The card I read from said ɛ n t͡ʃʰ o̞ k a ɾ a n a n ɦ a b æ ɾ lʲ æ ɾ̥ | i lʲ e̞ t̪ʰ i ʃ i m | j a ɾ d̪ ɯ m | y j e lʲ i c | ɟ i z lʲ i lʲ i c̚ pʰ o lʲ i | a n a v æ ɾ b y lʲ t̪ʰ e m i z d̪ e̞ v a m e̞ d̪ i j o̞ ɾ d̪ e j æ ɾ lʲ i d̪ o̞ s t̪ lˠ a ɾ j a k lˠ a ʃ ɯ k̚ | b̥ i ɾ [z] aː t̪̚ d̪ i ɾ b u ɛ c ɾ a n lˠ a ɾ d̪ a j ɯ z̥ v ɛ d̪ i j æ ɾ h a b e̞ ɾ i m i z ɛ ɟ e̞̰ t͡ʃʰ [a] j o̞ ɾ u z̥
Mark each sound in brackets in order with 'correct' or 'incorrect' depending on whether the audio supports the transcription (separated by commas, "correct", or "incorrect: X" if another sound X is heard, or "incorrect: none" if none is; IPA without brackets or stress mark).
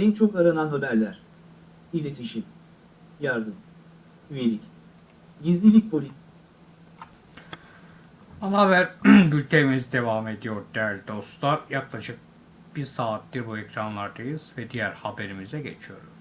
incorrect: s, incorrect: i